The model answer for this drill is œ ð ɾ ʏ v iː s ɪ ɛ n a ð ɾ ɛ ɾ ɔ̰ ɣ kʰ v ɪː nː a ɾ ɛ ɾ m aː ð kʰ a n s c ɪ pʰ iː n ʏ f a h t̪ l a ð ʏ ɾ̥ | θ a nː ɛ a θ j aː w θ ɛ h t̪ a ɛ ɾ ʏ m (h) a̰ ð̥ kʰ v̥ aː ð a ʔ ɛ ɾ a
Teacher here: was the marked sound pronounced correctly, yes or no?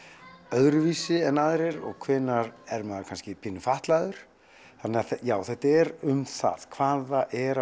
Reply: no